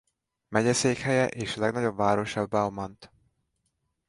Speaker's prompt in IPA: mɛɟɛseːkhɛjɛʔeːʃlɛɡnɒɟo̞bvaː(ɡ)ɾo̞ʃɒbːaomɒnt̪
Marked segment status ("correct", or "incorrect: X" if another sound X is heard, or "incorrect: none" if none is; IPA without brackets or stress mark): incorrect: none